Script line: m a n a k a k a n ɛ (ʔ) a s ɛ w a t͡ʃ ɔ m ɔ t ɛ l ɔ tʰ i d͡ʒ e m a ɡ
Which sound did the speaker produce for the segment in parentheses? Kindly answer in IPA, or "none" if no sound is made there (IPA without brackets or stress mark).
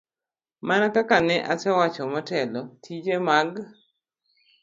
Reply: ʔ